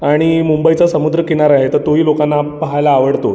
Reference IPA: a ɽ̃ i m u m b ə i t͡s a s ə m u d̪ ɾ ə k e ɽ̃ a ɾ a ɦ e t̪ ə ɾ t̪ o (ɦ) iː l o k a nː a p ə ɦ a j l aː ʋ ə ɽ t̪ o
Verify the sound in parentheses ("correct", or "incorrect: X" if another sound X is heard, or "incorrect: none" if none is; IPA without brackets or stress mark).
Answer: correct